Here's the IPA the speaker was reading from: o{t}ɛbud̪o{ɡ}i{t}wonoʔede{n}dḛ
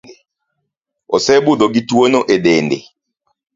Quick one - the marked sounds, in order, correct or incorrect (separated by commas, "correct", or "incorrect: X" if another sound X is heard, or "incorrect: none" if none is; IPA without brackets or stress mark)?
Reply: incorrect: s, correct, correct, correct